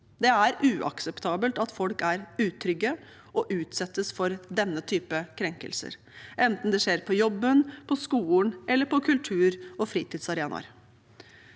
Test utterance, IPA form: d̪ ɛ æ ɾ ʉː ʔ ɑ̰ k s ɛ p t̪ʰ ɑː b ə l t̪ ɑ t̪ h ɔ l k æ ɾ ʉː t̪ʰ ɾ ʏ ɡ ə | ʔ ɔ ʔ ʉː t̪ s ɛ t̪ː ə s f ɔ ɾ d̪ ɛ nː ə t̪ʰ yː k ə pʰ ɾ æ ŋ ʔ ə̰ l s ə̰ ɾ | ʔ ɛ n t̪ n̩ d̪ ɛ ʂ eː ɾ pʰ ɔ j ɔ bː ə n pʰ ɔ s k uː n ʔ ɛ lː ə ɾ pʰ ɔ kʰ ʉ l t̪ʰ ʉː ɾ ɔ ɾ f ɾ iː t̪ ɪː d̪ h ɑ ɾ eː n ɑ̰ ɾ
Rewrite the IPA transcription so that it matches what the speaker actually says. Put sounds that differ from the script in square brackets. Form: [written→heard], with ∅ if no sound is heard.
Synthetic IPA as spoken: d̪ ɛ æ ɾ ʉː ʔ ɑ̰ k s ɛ p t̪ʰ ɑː b ə l t̪ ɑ t̪ [h→f] ɔ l k æ ɾ ʉː t̪ʰ ɾ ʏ ɡ ə | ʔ ɔ ʔ ʉː t̪ s ɛ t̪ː ə s f ɔ ɾ d̪ ɛ nː ə t̪ʰ yː [k→p] ə [pʰ→kʰ] ɾ [æ→ɛ] ŋ [ʔ→k] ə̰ l s ə̰ ɾ | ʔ ɛ n t̪ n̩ d̪ ɛ ʂ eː ɾ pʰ ɔ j ɔ bː ə n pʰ ɔ s k uː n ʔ ɛ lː ə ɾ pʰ ɔ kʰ ʉ l t̪ʰ ʉː ɾ ɔ [ɾ→∅] f ɾ iː t̪ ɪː d̪ [h→s] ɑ ɾ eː n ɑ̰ ɾ